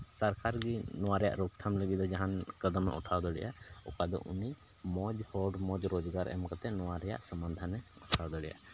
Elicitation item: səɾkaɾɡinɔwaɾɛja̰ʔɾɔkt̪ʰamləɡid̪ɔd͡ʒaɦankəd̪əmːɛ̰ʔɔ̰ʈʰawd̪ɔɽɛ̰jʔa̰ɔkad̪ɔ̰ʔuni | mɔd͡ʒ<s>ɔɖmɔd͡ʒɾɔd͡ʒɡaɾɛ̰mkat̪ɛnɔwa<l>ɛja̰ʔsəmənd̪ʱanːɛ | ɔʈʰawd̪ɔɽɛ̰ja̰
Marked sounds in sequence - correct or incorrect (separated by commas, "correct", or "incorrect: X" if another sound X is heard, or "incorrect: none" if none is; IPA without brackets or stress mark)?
incorrect: h, incorrect: ɾ